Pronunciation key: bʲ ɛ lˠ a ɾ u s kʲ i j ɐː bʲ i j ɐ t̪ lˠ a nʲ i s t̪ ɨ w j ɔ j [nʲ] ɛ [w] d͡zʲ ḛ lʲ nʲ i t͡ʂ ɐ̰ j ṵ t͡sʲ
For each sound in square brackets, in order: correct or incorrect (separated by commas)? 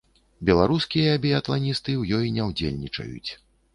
correct, correct